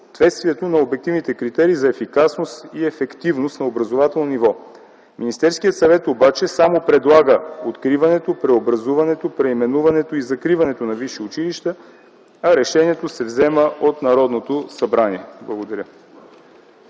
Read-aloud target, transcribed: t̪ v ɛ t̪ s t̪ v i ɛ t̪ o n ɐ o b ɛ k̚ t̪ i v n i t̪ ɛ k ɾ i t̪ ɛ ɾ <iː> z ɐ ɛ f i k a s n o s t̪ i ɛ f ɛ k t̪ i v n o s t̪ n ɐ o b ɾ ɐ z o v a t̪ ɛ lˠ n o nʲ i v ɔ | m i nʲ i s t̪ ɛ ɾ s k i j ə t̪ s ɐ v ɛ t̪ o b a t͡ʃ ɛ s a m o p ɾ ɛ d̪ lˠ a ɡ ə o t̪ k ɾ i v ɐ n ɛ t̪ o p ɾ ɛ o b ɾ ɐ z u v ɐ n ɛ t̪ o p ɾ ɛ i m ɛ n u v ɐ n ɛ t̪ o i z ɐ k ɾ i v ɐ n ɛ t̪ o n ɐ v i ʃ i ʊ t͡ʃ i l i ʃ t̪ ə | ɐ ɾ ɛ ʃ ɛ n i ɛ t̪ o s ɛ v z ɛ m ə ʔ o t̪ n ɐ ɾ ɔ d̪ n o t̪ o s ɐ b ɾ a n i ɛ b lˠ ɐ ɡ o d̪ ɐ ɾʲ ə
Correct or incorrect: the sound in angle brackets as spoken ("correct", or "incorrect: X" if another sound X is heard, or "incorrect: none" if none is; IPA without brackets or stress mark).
correct